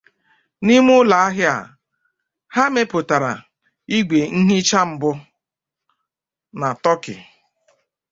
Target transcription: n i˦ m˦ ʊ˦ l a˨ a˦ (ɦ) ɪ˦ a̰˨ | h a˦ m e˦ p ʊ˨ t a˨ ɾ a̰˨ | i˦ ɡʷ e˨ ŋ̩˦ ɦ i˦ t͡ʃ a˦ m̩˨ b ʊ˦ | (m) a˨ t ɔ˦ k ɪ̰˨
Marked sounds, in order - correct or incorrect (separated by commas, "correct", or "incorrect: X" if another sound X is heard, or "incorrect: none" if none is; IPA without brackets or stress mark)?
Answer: correct, incorrect: n